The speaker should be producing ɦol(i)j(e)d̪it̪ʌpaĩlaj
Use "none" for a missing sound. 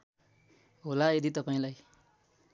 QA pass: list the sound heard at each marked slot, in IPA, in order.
a, e

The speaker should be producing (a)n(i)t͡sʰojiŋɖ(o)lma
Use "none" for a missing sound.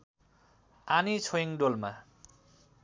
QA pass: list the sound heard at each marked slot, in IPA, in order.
a, i, o

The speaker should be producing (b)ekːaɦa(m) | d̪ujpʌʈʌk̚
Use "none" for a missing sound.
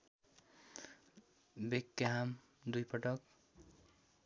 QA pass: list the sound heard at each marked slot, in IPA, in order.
b, m

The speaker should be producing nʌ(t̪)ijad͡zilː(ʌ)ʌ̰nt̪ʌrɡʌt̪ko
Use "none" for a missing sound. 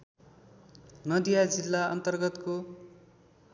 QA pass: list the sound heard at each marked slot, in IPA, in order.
d̪, a

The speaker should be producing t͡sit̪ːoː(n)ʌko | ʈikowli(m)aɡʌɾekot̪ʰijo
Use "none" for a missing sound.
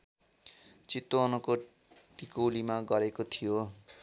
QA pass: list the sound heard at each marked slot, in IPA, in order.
n, m

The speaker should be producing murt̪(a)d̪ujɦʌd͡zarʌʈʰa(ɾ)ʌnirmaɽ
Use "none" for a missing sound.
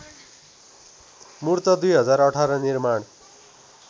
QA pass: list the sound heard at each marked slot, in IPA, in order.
ʌ, ɾ

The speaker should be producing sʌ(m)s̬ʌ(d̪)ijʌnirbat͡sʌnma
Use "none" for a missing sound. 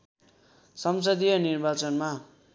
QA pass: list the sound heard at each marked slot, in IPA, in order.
m, d̪

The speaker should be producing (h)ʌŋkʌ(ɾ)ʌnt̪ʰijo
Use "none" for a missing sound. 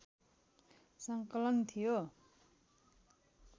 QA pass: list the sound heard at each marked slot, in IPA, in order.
s, l

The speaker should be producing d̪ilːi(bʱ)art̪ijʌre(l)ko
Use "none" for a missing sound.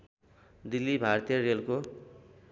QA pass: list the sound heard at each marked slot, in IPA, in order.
bʱ, l

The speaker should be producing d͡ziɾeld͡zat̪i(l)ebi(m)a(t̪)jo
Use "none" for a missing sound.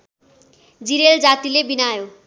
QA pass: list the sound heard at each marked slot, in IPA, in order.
l, n, none

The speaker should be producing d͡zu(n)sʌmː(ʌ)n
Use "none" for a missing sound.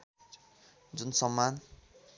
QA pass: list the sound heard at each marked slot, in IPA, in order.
n, a

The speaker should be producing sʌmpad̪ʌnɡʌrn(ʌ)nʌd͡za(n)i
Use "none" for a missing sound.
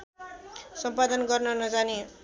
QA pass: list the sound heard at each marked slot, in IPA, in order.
ʌ, n

